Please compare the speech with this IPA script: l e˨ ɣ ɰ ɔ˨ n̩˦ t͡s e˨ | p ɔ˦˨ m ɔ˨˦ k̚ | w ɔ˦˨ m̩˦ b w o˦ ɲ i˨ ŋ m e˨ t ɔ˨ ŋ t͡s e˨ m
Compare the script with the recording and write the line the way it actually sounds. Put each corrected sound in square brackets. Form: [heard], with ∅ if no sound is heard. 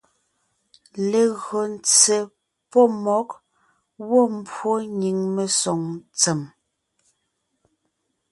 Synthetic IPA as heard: l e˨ ɣ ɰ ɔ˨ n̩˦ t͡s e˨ | p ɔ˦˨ m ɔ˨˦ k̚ | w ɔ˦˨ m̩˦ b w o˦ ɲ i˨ ŋ m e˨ [s] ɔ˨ ŋ t͡s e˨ m